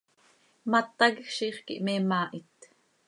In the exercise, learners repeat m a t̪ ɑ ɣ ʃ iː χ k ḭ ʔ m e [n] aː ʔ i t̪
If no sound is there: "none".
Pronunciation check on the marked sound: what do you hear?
m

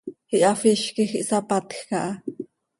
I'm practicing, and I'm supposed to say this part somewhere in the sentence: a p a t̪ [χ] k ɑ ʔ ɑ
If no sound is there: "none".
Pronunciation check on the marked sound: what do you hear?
x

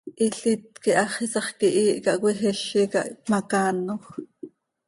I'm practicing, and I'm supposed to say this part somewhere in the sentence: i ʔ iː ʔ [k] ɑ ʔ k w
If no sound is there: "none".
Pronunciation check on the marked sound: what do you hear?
k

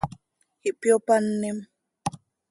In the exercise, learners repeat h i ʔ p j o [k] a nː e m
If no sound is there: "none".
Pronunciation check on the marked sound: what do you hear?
p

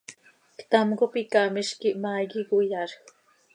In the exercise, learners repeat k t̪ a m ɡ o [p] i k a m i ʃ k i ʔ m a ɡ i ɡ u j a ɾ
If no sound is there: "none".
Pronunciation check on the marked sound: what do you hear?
p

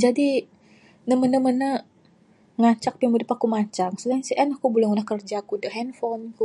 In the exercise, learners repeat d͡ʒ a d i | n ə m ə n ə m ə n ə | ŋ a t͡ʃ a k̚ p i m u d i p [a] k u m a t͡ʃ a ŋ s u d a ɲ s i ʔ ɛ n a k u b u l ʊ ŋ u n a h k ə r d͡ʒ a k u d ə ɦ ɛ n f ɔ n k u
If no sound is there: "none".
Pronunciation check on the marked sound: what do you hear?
a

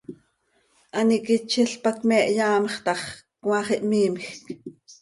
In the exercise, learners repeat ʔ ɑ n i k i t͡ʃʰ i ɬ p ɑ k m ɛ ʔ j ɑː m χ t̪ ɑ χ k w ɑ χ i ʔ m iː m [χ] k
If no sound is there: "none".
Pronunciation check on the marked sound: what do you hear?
x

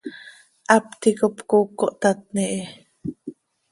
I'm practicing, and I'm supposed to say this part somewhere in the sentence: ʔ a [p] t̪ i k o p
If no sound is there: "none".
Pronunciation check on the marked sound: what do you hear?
p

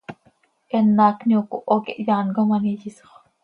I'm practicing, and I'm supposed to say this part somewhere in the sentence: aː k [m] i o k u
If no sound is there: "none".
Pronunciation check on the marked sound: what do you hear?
n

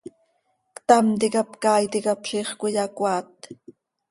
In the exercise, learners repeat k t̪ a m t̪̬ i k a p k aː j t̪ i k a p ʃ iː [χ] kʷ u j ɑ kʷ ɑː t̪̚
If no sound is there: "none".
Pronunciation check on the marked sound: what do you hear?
χ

